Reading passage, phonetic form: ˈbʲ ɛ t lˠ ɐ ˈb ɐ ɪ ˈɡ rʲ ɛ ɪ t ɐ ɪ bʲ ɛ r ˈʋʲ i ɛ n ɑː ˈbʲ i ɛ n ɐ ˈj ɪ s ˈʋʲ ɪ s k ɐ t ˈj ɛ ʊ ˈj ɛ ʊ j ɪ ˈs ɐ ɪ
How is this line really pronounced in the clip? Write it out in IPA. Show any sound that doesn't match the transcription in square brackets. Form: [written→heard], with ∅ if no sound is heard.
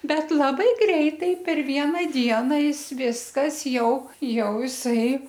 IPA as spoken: ˈbʲ ɛ t lˠ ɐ ˈb ɐ ɪ ˈɡ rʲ ɛ ɪ t ɐ ɪ [bʲ→pʲ] ɛ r ˈʋʲ i ɛ n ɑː [ˈbʲ→ˈdʲ] i ɛ n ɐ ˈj ɪ s ˈʋʲ ɪ s k ɐ [t→s] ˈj ɛ ʊ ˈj ɛ ʊ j ɪ ˈs ɐ ɪ